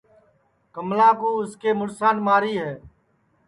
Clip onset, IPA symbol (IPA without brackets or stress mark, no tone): k